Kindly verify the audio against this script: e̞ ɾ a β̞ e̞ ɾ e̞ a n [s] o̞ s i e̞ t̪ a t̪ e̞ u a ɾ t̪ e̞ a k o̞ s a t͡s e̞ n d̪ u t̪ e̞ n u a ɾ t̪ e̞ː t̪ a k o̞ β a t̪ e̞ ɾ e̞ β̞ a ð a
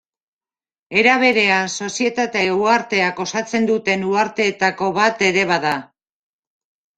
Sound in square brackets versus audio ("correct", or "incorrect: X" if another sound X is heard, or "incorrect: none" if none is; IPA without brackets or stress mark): correct